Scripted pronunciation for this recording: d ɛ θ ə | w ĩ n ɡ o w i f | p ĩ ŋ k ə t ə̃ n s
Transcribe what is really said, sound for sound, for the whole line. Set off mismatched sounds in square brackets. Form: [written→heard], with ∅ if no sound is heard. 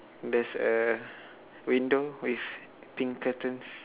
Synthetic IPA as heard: d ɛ [θ→s] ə | w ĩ n [ɡ→d] o w i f | p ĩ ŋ k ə t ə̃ n s